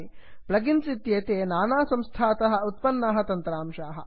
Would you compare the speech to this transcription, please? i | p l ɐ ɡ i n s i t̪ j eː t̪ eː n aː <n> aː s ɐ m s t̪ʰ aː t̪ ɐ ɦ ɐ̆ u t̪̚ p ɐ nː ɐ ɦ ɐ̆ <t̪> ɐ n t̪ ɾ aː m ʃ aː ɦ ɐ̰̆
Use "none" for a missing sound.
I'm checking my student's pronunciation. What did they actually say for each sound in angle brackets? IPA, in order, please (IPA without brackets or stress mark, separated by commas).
n, t̪